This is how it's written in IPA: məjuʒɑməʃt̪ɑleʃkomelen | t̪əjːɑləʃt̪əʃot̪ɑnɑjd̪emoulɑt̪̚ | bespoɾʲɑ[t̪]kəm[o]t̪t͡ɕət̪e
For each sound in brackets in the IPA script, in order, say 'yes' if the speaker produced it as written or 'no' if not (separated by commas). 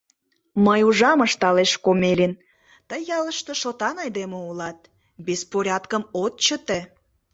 yes, yes